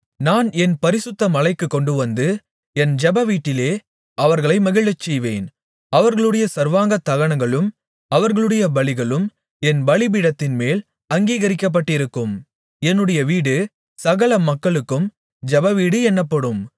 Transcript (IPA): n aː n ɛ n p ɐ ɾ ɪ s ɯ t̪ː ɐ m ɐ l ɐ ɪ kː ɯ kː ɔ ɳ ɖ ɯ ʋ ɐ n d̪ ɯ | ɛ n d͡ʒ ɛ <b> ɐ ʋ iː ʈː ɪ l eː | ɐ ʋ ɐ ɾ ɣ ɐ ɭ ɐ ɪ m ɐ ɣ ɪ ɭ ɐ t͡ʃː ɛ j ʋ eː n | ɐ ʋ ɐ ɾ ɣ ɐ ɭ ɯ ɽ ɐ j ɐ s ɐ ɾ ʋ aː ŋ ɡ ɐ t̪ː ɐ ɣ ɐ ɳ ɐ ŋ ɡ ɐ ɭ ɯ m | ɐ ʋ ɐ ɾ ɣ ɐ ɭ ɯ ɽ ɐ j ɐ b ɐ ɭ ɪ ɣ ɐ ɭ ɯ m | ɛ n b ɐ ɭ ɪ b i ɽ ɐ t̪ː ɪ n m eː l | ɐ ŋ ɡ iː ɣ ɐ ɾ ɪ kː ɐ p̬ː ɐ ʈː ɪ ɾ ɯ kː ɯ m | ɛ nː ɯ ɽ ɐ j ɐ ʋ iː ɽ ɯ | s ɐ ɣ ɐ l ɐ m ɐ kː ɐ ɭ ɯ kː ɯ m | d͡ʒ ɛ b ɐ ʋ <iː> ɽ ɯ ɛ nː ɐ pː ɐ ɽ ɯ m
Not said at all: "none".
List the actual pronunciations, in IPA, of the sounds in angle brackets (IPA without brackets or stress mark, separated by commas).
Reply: b, iː